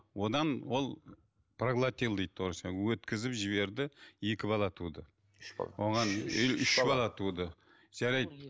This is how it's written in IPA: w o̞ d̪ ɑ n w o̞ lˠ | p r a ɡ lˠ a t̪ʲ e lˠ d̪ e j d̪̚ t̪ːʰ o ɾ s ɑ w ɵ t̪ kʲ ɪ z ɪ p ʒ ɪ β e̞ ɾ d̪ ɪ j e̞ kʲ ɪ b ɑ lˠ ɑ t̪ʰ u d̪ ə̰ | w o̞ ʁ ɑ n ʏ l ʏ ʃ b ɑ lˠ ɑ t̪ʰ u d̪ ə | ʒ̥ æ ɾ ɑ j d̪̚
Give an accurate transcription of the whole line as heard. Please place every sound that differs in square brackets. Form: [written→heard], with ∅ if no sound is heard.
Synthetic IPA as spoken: w o̞ d̪ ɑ n w o̞ lˠ | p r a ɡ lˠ a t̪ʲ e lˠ d̪ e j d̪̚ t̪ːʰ o ɾ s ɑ w ɵ t̪ kʲ ɪ z ɪ p ʒ ɪ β e̞ ɾ d̪ ɪ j e̞ kʲ ɪ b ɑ lˠ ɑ t̪ʰ u d̪ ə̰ | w o̞ ʁ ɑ n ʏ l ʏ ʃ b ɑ lˠ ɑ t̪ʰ u d̪ ə | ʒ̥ æ ɾ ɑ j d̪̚

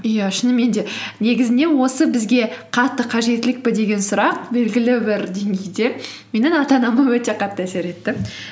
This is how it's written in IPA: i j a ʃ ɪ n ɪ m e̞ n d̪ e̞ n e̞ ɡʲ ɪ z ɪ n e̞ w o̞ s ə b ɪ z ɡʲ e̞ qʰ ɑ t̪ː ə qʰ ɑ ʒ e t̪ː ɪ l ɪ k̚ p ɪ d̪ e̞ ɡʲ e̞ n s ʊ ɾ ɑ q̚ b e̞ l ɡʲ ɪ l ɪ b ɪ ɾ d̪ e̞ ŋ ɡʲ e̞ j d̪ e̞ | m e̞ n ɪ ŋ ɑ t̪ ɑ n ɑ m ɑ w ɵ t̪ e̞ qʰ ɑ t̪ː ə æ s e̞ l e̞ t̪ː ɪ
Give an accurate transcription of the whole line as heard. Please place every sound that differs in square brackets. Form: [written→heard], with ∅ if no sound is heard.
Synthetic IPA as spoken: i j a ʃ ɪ n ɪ m e̞ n d̪ e̞ n e̞ ɡʲ ɪ z ɪ n e̞ w o̞ s ə b ɪ z ɡʲ e̞ qʰ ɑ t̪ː ə qʰ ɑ ʒ e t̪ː ɪ l ɪ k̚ p ɪ d̪ e̞ ɡʲ e̞ n s ʊ ɾ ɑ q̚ b e̞ l ɡʲ ɪ l ɪ b ɪ ɾ d̪ e̞ ŋ ɡʲ e̞ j d̪ e̞ | m e̞ n ɪ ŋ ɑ t̪ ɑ n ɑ m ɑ w ɵ t̪ e̞ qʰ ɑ t̪ː ə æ s e̞ [l→ɾ] e̞ t̪ː ɪ

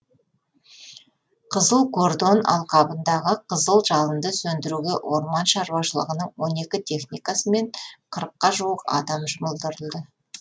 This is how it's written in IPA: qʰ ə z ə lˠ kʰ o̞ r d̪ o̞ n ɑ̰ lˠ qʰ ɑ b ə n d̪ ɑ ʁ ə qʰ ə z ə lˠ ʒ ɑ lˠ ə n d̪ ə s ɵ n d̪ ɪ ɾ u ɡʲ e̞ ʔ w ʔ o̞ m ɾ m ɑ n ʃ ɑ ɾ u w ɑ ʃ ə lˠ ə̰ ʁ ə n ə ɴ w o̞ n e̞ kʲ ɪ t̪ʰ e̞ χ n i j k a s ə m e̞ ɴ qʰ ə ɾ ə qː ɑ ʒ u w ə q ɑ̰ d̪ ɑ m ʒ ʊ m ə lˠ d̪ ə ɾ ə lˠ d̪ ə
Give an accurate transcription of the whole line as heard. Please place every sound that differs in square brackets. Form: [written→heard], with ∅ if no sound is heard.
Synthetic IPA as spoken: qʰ ə z ə lˠ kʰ o̞ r d̪ o̞ n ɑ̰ lˠ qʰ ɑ b ə n d̪ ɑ ʁ ə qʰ ə z ə lˠ ʒ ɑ lˠ ə n d̪ ə s ɵ n d̪ ɪ ɾ u ɡʲ e̞ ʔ w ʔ o̞ [m→∅] ɾ m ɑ n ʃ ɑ ɾ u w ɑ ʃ ə lˠ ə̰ ʁ ə n ə ɴ w o̞ n e̞ kʲ ɪ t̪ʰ e̞ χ n i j k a s ə m e̞ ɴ qʰ ə ɾ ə qː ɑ ʒ u w ə q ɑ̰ d̪ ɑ m ʒ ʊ m ə lˠ d̪ ə ɾ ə lˠ d̪ ə

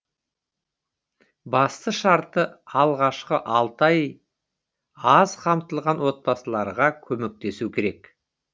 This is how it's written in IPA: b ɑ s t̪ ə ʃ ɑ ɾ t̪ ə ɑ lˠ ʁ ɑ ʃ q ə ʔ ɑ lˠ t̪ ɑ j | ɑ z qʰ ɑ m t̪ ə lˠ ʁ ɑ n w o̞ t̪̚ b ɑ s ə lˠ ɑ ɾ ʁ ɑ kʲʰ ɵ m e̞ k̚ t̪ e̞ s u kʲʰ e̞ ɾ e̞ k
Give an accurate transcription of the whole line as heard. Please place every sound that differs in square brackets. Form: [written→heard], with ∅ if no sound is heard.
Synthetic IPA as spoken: b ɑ s t̪ ə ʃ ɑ ɾ t̪ ə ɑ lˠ ʁ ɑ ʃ q ə ʔ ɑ lˠ t̪ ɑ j | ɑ z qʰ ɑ m t̪ ə lˠ ʁ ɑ n w o̞ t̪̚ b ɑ s ə lˠ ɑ ɾ ʁ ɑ kʲʰ ɵ m e̞ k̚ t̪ e̞ s u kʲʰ e̞ ɾ e̞ k

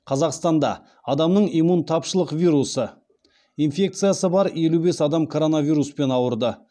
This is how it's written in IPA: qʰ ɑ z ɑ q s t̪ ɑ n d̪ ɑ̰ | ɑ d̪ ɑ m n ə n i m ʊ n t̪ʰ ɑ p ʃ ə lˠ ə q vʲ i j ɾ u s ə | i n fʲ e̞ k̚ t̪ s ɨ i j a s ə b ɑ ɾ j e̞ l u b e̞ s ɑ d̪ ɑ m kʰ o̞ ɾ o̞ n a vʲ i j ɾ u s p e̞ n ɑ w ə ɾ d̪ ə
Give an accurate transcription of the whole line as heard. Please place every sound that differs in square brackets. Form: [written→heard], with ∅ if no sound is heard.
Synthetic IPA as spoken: qʰ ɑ z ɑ q s t̪ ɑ n d̪ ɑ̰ | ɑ d̪ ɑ m n ə [n→ɴ] i m [ʊ→u] n t̪ʰ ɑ p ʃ ə lˠ ə q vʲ i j ɾ u s ə | i n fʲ e̞ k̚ t̪ s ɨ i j a s ə b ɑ ɾ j e̞ l u b e̞ s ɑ d̪ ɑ m kʰ o̞ ɾ o̞ n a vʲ i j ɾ u s p e̞ n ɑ w ə ɾ d̪ ə

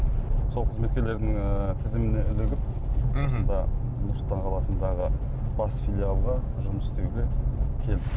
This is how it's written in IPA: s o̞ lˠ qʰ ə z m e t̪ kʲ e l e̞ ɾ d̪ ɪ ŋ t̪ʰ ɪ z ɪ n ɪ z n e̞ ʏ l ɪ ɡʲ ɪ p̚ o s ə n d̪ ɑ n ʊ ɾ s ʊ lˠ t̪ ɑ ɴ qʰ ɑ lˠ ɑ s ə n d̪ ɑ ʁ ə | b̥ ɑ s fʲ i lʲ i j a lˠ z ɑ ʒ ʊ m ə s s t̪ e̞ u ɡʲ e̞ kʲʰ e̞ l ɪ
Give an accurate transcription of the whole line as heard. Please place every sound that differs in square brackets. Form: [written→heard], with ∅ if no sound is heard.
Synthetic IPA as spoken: s o̞ lˠ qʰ ə z m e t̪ kʲ e l e̞ ɾ d̪ ɪ ŋ t̪ʰ ɪ z ɪ [n→m] ɪ [z→∅] n e̞ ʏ l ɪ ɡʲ ɪ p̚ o s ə n d̪ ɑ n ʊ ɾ s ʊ lˠ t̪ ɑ ɴ qʰ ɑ lˠ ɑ s ə n d̪ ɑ ʁ ə | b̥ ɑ s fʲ i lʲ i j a lˠ [z→ʁ] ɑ ʒ ʊ m ə s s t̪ e̞ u ɡʲ e̞ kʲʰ e̞ l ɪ

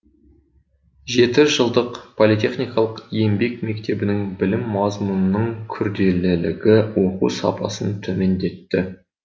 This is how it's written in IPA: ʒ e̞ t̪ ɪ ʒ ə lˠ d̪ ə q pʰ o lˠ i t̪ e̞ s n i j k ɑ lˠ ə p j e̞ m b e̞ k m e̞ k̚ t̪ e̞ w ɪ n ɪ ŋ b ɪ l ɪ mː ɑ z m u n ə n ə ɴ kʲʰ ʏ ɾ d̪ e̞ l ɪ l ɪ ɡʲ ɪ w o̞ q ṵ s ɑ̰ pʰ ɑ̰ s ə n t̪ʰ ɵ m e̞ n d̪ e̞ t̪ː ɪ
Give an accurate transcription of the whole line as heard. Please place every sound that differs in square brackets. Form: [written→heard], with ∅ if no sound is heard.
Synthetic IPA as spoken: ʒ e̞ t̪ ɪ ʒ ə lˠ d̪ ə q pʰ o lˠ i t̪ e̞ [s→χ] n i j k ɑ lˠ ə [p→q] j e̞ m b e̞ k m e̞ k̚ t̪ e̞ [w→b] ɪ n ɪ ŋ b ɪ l ɪ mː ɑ z m u n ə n ə ɴ kʲʰ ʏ ɾ d̪ e̞ l ɪ l ɪ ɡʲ ɪ w o̞ q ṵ s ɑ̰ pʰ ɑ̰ s ə n t̪ʰ ɵ m e̞ n d̪ e̞ t̪ː ɪ

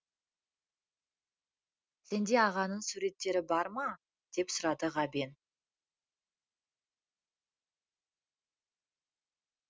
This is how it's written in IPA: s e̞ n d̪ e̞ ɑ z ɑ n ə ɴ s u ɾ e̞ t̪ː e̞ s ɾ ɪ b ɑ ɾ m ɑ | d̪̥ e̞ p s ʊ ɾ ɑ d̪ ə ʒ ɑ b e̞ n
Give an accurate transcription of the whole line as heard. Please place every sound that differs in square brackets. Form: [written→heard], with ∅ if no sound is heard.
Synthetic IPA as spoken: s e̞ n d̪ e̞ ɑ [z→ʁ] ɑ n ə ɴ s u ɾ e̞ t̪ː e̞ [s→∅] ɾ ɪ b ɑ ɾ m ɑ | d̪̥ e̞ p s ʊ ɾ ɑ d̪ ə [ʒ→ʁ] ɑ b e̞ n

